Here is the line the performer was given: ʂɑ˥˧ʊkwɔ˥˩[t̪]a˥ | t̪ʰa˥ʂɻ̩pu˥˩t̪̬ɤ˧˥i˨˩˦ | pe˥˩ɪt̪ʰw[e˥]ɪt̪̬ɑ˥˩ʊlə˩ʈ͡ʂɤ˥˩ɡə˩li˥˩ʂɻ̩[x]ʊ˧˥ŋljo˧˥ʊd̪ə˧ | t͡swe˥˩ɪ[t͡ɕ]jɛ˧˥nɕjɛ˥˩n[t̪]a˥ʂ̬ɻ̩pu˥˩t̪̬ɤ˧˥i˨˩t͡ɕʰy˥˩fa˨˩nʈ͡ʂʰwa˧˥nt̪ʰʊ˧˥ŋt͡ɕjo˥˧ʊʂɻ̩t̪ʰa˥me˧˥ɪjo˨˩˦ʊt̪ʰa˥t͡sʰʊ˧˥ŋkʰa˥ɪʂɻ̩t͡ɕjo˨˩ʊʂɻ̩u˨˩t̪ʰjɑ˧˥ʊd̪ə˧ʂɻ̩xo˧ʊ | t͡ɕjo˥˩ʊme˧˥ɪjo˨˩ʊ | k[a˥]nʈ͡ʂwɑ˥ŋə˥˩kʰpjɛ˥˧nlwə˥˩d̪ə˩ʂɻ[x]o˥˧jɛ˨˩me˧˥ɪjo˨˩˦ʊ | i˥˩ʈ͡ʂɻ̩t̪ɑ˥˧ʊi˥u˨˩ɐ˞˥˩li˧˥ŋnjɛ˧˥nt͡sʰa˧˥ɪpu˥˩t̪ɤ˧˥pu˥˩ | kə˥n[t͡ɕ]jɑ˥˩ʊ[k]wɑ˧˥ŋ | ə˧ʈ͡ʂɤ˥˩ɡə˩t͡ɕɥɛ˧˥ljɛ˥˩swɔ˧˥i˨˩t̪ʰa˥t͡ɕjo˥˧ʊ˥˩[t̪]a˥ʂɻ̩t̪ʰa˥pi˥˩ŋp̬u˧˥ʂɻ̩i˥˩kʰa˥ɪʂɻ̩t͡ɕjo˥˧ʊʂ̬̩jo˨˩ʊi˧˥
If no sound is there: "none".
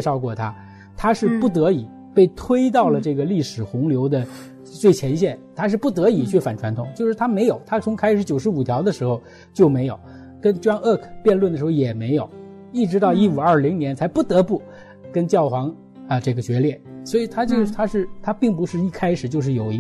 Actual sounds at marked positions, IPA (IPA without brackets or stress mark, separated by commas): t̪ʰ, e˥, x, t͡ɕʰ, t̪ʰ, ə˥, x, t͡ɕ, x, t̪ʰ